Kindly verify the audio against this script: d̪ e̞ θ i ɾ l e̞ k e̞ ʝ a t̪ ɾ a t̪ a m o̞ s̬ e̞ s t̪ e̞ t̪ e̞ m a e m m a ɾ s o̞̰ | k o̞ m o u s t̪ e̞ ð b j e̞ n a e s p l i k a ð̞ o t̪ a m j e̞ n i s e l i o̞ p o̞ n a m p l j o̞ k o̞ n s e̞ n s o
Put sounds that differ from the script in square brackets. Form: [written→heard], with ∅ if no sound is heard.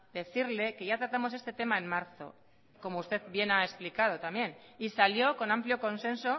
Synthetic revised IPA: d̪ e̞ θ i ɾ l e̞ k e̞ ʝ a t̪ ɾ a t̪ a m o̞ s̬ e̞ s t̪ e̞ t̪ e̞ m a e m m a ɾ [s→θ] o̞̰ | k o̞ m o u s t̪ e̞ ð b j e̞ n a e s p l i k a ð̞ o t̪ a m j e̞ n i s [e→a] l [i→j] o̞ [p→k] o̞ n a m p l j o̞ k o̞ n s e̞ n s o